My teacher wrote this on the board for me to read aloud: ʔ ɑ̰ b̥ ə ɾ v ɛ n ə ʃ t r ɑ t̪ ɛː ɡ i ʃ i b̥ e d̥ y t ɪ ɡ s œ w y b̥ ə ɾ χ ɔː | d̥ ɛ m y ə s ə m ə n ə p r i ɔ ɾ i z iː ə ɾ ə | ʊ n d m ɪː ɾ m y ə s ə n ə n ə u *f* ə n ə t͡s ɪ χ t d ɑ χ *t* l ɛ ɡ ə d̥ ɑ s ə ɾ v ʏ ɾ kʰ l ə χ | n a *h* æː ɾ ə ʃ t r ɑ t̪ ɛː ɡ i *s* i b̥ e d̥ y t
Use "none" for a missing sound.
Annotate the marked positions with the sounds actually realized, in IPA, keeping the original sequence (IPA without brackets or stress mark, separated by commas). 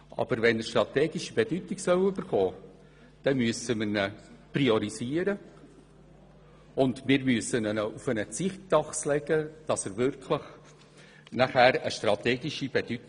f, s, χ, ʃ